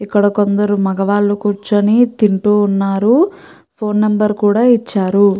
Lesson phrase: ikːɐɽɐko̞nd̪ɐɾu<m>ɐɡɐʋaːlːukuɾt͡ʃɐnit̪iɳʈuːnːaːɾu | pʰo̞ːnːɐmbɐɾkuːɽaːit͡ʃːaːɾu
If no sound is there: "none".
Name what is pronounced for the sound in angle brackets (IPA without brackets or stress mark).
m